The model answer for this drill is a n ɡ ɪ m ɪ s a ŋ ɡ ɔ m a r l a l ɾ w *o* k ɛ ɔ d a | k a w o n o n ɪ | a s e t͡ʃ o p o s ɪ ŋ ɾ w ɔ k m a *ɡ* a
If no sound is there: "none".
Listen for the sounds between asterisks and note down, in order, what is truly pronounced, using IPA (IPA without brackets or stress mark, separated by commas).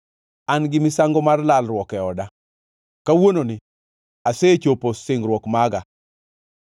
ɔ, ɡ